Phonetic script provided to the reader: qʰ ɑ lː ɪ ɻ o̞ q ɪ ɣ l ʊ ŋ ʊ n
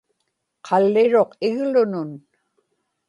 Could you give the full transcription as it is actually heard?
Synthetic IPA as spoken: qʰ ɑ lː ɪ ɻ o̞ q ɪ ɣ l ʊ n ʊ n